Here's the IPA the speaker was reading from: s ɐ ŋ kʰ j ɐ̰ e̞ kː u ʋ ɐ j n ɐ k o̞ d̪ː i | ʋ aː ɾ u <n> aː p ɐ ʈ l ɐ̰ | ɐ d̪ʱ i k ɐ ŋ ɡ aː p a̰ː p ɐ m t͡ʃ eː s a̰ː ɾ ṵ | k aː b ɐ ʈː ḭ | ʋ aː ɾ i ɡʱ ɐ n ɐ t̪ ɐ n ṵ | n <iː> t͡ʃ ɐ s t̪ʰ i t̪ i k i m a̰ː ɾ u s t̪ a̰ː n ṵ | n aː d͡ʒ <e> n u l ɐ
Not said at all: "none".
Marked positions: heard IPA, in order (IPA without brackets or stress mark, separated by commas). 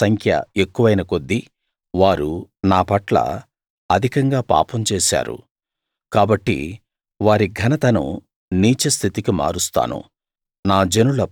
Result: n, iː, e